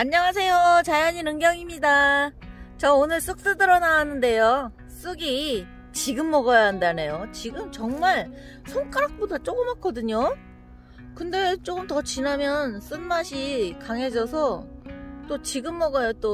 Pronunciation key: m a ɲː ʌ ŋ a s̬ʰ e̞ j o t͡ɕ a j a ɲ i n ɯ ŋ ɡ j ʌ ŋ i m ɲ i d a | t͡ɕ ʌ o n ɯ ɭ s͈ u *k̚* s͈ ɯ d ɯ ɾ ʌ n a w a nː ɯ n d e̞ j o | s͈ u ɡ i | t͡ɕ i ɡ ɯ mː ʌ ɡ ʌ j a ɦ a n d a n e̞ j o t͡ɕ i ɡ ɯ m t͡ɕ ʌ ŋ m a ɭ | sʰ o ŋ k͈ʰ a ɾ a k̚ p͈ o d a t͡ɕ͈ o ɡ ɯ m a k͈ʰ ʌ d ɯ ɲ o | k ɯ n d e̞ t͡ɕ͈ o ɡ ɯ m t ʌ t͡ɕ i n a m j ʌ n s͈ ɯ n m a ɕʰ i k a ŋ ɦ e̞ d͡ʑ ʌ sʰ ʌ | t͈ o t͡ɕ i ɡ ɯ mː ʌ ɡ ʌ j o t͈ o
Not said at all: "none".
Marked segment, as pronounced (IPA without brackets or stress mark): k̚